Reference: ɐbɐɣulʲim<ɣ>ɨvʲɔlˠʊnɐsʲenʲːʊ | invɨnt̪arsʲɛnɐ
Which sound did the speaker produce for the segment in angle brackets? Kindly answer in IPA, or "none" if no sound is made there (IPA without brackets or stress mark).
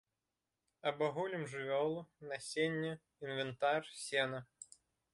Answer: ʐ